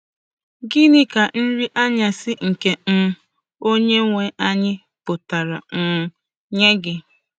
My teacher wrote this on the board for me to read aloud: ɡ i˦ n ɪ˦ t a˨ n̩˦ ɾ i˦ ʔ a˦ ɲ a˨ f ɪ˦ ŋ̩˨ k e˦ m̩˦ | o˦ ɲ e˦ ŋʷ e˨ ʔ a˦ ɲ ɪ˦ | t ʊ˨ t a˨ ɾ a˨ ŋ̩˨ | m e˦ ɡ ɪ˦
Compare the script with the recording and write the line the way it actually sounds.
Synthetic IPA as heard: ɡ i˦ n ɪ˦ k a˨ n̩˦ ɾ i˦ ʔ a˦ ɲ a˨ s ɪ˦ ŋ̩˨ k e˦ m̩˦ | o˦ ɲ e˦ ŋʷ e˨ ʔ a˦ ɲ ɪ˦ | p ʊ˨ t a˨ ɾ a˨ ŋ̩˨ | ɲ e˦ ɡ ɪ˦